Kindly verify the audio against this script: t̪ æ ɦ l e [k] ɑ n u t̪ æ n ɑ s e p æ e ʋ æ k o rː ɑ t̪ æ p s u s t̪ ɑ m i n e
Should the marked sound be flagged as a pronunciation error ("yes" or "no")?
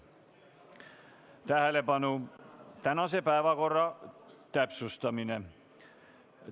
yes